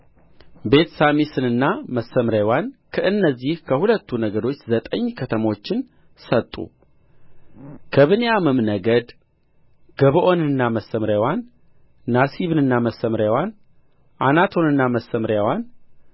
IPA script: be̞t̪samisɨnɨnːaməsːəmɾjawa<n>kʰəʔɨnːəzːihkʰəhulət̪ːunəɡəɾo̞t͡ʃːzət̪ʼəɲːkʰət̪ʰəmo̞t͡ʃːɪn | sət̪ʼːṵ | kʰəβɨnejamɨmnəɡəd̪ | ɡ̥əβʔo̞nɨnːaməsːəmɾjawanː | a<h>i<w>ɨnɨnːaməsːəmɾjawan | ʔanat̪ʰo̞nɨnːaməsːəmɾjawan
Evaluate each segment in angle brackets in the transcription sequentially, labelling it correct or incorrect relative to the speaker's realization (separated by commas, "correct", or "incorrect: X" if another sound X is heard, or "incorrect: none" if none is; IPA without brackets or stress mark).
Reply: correct, incorrect: s, incorrect: β